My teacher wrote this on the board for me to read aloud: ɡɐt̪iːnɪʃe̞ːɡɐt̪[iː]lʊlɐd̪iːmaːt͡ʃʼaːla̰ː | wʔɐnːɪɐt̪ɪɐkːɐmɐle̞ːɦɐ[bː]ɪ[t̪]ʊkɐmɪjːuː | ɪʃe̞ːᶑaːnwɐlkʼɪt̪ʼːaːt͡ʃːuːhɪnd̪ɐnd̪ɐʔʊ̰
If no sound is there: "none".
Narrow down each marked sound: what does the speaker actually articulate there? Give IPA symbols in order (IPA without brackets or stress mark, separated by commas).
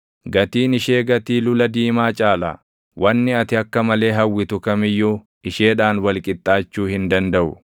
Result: iː, wː, t̪